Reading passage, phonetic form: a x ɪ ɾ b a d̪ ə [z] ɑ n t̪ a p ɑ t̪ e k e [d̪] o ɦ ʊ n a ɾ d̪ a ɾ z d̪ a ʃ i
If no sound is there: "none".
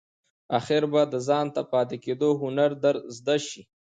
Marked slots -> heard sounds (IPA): z, d̪

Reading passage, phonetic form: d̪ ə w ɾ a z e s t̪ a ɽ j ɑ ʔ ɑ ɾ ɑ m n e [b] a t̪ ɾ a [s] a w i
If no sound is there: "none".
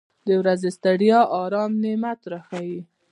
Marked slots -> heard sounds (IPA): m, x

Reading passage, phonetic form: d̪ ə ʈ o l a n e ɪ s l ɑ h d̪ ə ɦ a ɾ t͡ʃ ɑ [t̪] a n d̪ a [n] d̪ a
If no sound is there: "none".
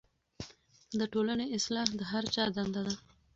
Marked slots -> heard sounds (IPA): d̪, none

